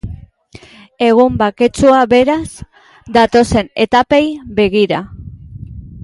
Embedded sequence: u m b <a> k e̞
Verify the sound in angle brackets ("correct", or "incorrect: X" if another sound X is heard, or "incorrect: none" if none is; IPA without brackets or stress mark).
correct